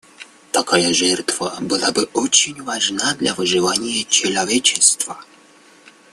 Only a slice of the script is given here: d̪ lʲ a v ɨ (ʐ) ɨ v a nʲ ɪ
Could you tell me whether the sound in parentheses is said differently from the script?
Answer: no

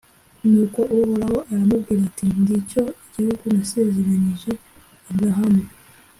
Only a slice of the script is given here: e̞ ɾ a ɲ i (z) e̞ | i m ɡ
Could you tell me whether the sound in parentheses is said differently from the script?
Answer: yes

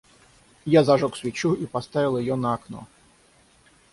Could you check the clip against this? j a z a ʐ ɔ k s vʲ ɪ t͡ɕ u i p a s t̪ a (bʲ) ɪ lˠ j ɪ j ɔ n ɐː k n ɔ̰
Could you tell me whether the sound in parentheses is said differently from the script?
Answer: yes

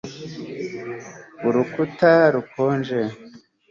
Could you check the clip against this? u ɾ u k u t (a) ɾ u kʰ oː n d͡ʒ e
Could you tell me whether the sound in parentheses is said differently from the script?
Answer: no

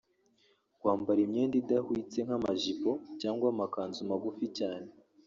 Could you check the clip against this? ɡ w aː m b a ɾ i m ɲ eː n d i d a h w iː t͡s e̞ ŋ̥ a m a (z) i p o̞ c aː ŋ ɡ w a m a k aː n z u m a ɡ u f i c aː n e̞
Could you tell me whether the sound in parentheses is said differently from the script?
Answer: yes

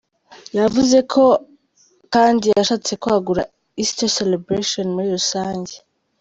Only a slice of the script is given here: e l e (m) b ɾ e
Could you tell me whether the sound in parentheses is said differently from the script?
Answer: yes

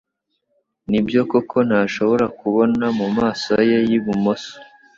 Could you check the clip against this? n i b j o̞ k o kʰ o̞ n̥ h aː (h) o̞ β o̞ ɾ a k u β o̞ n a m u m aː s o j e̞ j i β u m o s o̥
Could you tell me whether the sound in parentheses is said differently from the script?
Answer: yes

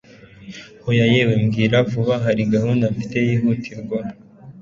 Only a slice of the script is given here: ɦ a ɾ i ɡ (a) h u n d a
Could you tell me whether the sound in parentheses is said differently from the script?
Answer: no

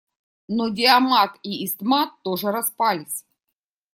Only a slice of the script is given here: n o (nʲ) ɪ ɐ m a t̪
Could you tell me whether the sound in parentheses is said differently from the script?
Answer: yes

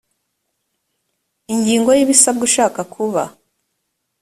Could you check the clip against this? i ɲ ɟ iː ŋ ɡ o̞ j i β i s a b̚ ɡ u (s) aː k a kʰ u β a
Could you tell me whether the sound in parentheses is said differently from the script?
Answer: yes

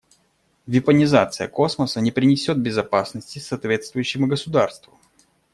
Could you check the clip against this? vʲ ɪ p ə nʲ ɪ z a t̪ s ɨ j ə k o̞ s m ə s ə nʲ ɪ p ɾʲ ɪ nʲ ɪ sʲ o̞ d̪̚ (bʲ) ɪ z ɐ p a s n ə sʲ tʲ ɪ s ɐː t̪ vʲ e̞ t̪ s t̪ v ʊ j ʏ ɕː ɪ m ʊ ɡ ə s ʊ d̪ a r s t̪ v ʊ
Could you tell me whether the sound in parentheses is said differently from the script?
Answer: no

